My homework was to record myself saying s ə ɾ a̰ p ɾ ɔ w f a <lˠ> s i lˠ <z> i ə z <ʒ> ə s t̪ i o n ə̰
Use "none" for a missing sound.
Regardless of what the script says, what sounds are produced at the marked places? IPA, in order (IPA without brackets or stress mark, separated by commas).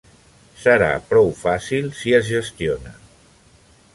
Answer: none, s, ʒ